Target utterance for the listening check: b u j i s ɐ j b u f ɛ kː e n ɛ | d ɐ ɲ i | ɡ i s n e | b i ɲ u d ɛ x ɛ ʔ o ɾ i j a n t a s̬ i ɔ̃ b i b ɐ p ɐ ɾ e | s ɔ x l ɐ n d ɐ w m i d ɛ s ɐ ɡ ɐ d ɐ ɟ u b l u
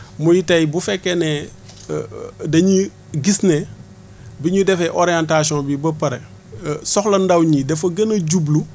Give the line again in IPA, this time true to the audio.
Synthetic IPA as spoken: m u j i t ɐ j b u f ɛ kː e n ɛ | d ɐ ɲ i | ɡ i s n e | b i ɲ u d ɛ f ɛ ʔ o ɾ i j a n t a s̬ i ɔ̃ b i b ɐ p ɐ ɾ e | s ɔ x l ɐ n d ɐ w ɲ i d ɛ f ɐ ɡ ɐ n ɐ ɟ u b l u

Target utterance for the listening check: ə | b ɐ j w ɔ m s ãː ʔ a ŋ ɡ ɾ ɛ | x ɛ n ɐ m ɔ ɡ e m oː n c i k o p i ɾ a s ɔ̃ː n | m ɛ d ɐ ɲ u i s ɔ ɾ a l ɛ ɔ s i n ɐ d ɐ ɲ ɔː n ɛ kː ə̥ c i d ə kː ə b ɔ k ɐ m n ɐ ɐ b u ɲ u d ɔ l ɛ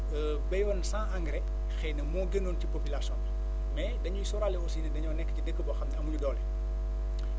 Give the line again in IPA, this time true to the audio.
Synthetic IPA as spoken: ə | b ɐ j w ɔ n s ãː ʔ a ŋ ɡ ɾ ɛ | x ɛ n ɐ m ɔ ɡ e n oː n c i p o p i l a s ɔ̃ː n | m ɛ d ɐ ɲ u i s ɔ ɾ a l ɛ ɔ s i n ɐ d ɐ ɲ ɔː n ɛ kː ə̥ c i d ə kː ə b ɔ x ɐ m n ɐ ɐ m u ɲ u d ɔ l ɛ

